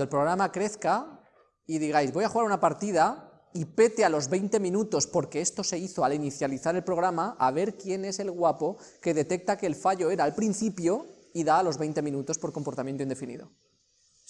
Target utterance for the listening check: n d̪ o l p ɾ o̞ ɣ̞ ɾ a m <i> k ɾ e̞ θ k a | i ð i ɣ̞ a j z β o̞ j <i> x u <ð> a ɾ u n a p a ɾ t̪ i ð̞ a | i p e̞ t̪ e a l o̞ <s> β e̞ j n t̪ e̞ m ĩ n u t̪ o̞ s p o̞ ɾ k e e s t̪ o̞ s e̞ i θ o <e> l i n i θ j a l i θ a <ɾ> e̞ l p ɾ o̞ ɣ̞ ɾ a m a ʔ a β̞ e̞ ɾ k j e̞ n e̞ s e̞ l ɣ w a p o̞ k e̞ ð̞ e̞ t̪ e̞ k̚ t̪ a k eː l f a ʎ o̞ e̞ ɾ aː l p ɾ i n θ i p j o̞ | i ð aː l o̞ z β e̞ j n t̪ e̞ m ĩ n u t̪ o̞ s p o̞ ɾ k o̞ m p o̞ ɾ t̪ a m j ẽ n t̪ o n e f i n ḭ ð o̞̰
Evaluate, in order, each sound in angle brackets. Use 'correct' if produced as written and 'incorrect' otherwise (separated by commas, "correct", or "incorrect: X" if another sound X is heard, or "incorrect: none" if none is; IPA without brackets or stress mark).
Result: incorrect: a, incorrect: a, incorrect: ɣ, incorrect: z, incorrect: a, correct